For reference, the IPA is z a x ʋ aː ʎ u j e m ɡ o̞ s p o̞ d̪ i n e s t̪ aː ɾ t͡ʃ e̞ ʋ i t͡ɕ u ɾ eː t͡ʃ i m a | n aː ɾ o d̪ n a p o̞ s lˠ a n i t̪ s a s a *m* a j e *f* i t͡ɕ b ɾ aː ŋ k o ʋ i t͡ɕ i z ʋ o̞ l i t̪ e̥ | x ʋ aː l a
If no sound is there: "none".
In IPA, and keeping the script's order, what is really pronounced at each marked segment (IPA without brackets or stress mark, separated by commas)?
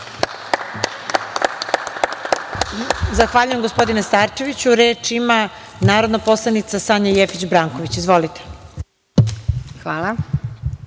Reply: ɲ, f